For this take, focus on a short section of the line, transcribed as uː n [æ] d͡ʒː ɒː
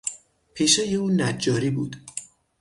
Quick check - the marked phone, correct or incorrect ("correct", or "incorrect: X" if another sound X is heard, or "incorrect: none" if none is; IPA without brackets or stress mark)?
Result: correct